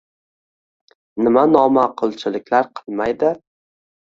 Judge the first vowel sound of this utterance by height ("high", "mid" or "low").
high